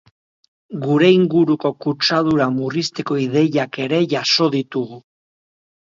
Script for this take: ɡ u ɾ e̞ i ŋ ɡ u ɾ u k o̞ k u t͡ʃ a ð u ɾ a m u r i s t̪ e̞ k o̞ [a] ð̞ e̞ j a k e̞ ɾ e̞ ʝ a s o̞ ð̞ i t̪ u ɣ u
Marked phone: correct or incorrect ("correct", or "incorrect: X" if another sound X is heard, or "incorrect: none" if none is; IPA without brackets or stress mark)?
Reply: incorrect: i